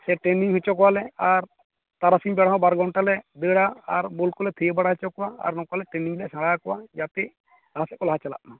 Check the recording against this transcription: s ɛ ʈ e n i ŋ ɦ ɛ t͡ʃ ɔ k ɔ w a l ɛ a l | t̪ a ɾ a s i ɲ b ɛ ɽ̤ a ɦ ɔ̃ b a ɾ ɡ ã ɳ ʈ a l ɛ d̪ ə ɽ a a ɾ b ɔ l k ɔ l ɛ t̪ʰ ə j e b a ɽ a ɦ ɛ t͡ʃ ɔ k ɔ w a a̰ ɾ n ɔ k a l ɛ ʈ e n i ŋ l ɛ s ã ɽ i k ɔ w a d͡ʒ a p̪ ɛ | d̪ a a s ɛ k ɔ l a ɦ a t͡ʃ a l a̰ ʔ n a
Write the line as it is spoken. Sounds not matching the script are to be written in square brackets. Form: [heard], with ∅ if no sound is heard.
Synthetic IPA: s ɛ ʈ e n i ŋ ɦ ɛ t͡ʃ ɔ k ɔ w a l ɛ a [ɾ] | t̪ a ɾ a s i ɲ b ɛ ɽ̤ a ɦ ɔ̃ b a ɾ ɡ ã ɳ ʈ a l ɛ d̪ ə ɽ a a ɾ b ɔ l k ɔ l ɛ t̪ʰ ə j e b a ɽ a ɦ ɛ t͡ʃ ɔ k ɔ w a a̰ ɾ n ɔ k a l ɛ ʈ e n i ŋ l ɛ s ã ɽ [a] k ɔ w a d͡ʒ a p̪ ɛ | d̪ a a s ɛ k ɔ l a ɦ a t͡ʃ a l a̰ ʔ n a